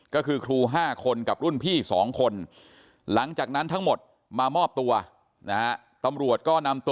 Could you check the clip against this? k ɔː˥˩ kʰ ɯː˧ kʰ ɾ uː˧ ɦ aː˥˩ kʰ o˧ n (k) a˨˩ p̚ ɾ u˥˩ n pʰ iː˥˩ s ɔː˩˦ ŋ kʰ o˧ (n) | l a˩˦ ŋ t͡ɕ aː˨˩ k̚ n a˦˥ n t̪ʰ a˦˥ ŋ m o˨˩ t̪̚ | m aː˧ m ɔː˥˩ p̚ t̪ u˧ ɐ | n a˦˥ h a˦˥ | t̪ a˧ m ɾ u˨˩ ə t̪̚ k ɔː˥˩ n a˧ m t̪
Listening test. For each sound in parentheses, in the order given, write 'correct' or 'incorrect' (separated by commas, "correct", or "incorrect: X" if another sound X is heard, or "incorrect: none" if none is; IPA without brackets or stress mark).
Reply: correct, correct